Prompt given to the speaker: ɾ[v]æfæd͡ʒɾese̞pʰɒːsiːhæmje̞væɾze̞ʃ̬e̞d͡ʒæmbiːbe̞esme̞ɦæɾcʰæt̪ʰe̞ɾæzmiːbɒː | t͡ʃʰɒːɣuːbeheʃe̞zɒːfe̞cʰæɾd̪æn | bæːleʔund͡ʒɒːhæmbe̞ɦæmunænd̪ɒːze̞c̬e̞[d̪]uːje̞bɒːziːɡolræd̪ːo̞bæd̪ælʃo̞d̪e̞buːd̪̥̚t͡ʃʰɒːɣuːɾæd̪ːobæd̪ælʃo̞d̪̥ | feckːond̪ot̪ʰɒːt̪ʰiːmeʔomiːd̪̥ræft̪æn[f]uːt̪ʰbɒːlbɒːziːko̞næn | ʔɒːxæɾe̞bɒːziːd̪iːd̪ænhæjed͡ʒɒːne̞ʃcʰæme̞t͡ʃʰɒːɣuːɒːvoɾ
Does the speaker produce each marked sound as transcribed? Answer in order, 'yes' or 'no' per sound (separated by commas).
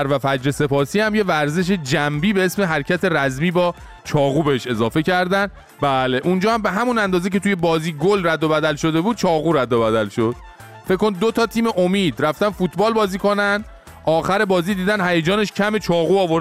yes, no, yes